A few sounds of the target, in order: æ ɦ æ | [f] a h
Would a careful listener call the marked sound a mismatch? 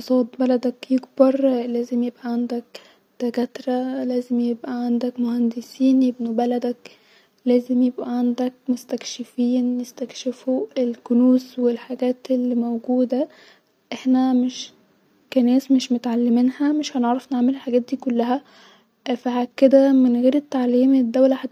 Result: no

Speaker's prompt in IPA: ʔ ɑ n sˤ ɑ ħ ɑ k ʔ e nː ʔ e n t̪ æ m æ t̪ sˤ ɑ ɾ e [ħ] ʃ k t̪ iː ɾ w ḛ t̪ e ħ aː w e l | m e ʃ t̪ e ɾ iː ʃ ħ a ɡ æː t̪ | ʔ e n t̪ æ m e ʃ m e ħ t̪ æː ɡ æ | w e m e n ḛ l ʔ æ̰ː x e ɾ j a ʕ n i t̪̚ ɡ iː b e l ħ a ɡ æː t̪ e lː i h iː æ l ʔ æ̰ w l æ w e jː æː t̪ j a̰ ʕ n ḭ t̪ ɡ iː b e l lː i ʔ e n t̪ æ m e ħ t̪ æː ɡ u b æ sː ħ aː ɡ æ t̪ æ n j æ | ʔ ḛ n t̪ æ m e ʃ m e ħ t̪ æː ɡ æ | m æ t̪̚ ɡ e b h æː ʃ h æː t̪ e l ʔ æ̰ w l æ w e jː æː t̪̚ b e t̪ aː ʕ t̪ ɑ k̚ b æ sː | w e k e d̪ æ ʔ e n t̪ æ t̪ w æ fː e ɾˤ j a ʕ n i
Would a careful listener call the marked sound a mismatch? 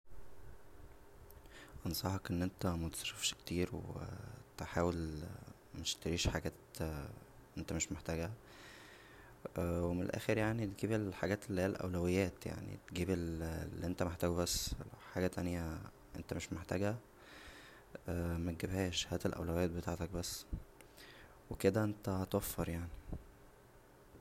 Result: yes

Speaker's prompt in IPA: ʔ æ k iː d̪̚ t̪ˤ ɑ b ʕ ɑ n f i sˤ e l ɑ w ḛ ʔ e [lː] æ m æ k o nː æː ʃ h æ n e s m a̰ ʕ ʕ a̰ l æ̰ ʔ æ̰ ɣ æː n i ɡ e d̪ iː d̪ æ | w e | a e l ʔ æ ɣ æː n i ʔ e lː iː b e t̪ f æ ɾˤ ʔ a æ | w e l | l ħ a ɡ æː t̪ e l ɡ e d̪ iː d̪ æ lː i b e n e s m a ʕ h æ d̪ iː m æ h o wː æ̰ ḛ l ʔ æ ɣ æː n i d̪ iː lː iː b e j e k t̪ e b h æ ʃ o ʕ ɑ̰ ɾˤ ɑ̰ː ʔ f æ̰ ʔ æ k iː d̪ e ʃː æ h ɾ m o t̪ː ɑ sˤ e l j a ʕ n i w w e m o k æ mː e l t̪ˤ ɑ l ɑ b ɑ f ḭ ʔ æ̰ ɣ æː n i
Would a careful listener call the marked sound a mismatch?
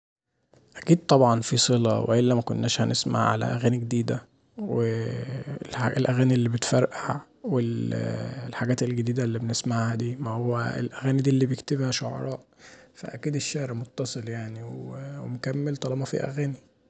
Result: no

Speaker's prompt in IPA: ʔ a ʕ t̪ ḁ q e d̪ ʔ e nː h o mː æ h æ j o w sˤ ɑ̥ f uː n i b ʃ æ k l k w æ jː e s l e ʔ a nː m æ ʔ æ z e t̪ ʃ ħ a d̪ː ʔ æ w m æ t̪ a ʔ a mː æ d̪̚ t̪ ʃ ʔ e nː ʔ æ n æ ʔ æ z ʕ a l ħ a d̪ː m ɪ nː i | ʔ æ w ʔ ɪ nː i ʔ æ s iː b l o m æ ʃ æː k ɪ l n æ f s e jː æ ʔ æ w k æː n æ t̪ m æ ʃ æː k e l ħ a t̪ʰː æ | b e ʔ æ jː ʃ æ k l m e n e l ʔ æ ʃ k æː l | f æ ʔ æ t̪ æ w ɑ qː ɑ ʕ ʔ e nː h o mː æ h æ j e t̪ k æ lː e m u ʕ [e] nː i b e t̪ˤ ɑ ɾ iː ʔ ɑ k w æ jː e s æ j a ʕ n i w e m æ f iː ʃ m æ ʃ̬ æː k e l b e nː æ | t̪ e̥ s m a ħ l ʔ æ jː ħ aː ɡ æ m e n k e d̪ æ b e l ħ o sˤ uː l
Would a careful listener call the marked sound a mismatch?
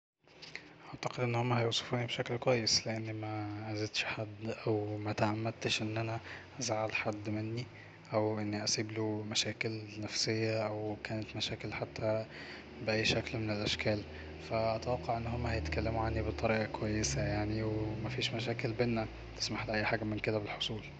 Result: yes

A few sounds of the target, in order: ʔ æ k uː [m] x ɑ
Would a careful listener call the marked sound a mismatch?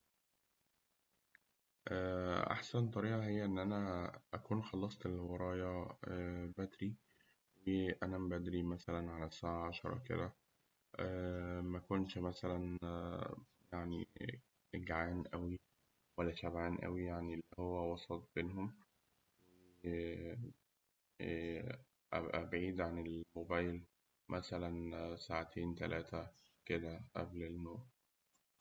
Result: yes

